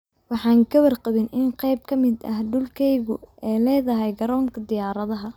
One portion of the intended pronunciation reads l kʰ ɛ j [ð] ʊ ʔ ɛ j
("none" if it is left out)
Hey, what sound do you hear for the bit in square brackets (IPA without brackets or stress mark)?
ɣ